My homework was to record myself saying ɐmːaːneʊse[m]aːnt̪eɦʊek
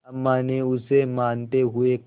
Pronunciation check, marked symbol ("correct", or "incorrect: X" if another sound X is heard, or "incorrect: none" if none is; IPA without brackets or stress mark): correct